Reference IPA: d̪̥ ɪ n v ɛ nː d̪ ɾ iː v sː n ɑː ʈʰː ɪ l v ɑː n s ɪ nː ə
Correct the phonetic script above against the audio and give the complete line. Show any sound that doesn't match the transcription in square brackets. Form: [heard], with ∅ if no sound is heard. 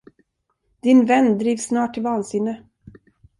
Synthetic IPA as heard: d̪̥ ɪ n v ɛ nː d̪ ɾ iː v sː n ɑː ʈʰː ɪ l v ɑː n s ɪ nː ə